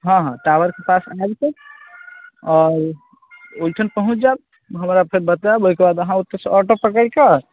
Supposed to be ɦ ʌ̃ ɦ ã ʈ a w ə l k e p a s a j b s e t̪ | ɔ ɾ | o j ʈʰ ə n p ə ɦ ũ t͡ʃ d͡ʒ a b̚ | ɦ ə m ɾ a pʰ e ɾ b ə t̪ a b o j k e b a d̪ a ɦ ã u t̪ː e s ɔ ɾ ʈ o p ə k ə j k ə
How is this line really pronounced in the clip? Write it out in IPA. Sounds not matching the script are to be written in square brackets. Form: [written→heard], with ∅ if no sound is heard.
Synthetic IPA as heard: ɦ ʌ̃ ɦ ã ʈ a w ə [l→ɾ] k e p a s a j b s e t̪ | ɔ ɾ | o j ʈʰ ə n p ə ɦ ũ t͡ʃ d͡ʒ a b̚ | ɦ ə m ɾ a pʰ e ɾ b ə t̪ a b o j k e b a d̪ [a→ə] ɦ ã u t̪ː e s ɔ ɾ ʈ o p ə k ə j k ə

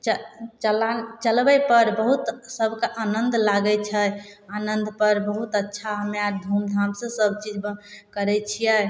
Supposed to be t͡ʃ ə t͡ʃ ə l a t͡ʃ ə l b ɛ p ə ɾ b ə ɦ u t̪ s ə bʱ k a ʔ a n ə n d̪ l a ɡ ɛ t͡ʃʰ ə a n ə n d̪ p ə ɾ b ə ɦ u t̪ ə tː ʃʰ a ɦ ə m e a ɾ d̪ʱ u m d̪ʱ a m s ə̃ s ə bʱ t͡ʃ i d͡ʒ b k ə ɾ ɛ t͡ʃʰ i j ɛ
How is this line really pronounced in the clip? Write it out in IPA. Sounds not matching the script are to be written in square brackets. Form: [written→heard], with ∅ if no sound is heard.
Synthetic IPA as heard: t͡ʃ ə t͡ʃ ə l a t͡ʃ ə l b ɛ p ə ɾ b ə ɦ u t̪ s ə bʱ k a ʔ a n ə n d̪ l a ɡ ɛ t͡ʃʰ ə a n ə n d̪ p ə ɾ b ə ɦ u t̪ ə tː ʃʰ a ɦ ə m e a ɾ d̪ʱ u m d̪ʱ a m s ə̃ s ə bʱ t͡ʃ i d͡ʒ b k ə ɾ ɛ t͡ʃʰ i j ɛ

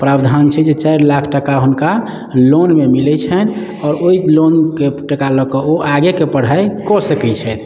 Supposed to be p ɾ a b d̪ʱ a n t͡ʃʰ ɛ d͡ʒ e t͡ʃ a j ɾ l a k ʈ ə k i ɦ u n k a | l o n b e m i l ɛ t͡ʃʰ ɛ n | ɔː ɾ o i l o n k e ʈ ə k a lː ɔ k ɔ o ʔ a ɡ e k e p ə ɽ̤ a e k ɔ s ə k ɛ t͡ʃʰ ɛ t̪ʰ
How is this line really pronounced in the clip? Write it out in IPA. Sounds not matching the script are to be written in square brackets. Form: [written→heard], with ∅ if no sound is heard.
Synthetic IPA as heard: p ɾ a b d̪ʱ a n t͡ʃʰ ɛ d͡ʒ e t͡ʃ a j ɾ l a [k→kʰ] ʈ ə k [i→a] ɦ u n k a | l o n [b→m] e m i l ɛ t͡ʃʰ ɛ n | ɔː ɾ o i l o n k e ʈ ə k a [lː→l] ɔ k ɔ o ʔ a ɡ e k e p ə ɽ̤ a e k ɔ s ə k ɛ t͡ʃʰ ɛ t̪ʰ

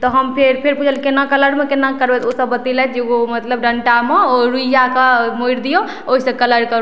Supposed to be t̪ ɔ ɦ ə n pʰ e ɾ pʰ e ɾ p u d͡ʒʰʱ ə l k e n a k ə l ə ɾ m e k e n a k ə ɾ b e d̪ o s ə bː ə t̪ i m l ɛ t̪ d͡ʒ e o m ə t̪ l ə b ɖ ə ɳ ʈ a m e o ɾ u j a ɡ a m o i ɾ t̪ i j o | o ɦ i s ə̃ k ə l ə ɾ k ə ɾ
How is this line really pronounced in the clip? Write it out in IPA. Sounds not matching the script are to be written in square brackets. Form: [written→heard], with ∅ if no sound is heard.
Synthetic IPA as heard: t̪ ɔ ɦ ə [n→m] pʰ e ɾ pʰ e ɾ p u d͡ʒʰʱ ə l k e n a k ə l ə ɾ m e k e n a k ə ɾ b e [d̪→t̪] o s ə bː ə t̪ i [m→∅] l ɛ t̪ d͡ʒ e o m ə t̪ l ə b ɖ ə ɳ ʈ a m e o ɾ u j a [ɡ→k] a m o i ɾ [t̪→d̪] i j o | o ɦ i s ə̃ k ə l ə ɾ k ə ɾ

